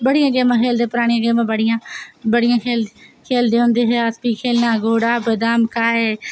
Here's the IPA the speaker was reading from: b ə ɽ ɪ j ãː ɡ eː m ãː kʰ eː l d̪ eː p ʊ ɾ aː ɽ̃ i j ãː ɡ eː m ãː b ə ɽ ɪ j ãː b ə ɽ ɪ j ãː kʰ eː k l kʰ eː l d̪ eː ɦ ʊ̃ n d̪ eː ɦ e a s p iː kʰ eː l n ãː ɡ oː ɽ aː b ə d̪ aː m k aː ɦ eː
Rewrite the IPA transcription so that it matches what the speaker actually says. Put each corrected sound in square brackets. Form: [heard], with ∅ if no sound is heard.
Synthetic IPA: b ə ɽ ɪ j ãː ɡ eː m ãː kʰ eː l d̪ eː p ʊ ɾ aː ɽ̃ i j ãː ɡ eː m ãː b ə ɽ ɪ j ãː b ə ɽ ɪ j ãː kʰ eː [∅] l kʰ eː l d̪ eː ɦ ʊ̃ n d̪ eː ɦ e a s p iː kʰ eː l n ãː ɡ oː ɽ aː b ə d̪ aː m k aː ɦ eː